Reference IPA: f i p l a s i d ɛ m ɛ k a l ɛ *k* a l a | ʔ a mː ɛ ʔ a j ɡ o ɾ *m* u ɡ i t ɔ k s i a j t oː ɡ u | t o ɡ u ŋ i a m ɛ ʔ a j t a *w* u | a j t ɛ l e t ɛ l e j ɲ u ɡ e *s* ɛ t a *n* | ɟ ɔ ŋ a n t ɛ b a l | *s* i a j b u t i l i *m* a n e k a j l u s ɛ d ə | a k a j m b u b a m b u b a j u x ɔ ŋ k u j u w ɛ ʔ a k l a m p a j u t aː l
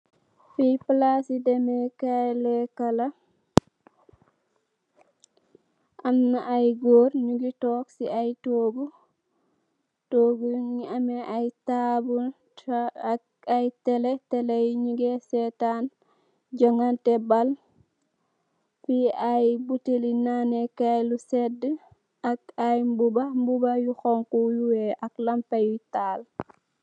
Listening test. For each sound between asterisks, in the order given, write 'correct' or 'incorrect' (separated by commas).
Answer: correct, incorrect, incorrect, correct, correct, incorrect, incorrect